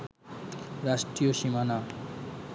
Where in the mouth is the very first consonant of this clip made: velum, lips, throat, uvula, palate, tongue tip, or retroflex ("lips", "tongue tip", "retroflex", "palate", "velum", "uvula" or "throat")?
tongue tip